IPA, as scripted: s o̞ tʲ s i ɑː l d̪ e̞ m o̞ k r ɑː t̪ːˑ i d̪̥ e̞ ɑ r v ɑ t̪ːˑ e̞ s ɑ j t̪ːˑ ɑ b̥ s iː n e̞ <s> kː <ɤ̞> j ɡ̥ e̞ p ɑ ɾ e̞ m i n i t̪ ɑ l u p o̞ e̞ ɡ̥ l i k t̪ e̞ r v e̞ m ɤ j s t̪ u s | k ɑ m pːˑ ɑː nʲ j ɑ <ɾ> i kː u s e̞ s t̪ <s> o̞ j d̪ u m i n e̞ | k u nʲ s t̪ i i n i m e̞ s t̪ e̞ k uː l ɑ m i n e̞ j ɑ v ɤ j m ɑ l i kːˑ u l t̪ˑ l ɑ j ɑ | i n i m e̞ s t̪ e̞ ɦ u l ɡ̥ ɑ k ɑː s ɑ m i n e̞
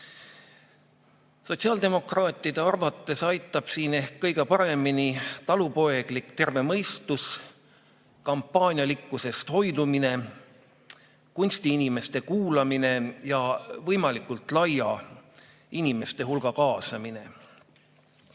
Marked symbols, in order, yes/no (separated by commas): no, yes, no, no